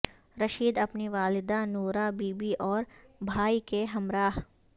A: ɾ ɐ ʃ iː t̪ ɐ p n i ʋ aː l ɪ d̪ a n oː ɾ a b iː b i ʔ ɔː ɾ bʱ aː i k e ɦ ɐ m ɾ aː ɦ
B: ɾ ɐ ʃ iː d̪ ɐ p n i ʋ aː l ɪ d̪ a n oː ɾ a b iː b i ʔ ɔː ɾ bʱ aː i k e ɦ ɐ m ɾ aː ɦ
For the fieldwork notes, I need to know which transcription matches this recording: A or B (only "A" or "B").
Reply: B